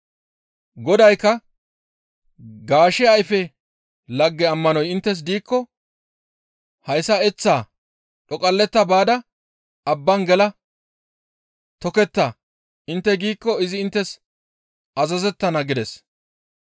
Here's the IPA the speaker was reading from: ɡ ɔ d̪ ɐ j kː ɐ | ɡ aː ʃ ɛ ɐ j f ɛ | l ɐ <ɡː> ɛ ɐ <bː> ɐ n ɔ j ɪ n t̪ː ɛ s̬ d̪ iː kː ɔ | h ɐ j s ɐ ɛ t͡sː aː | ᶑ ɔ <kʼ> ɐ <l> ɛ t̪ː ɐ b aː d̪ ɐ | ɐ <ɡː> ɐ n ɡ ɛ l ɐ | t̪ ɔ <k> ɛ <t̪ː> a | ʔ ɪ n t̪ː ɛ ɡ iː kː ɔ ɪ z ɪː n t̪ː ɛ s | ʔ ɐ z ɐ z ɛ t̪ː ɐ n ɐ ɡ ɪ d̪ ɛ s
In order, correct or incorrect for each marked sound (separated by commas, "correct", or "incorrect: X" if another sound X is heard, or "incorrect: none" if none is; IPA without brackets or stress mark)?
correct, incorrect: mː, correct, incorrect: lː, incorrect: bː, correct, correct